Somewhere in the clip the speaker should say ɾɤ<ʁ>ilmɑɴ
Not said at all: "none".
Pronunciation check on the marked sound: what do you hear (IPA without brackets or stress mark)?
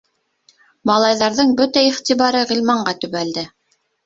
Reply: ʁ